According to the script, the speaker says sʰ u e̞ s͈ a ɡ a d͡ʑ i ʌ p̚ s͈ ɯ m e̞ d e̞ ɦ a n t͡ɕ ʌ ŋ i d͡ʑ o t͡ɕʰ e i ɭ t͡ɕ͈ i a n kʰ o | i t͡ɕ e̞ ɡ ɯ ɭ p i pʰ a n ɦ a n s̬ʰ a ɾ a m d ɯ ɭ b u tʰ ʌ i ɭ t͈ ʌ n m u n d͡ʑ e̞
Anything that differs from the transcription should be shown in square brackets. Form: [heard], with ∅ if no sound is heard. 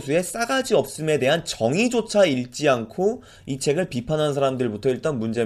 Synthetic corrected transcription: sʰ u e̞ s͈ a ɡ a d͡ʑ i ʌ p̚ s͈ ɯ m e̞ d e̞ ɦ a n t͡ɕ ʌ ŋ i d͡ʑ o t͡ɕʰ [a] i ɭ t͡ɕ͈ i a n kʰ o | i [t͡ɕʰ] e̞ ɡ ɯ ɭ p i pʰ a n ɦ a n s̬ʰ a ɾ a m d ɯ ɭ b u tʰ ʌ i ɭ t͈ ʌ n m u n d͡ʑ e̞